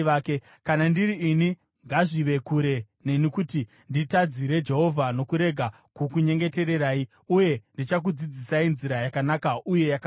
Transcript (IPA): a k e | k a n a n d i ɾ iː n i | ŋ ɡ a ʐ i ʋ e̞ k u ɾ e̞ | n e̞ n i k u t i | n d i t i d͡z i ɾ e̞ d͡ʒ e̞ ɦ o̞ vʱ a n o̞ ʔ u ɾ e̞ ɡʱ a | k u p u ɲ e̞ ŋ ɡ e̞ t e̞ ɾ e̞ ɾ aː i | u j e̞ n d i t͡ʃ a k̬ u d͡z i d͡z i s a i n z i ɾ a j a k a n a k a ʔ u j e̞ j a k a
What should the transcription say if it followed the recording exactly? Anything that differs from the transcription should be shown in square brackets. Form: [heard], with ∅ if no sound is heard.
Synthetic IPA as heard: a k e | k a n a n d i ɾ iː n i | ŋ ɡ a ʐ i ʋ e̞ k u ɾ e̞ | n e̞ n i k u t i | n d i t [a] d͡z i ɾ e̞ d͡ʒ e̞ ɦ o̞ vʱ a n o̞ [k] u ɾ e̞ ɡʱ a | k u [k] u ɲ e̞ ŋ ɡ e̞ t e̞ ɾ e̞ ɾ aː i | u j e̞ n d i t͡ʃ a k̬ u d͡z i d͡z i s a i n z i ɾ a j a k a n a k a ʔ u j e̞ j a k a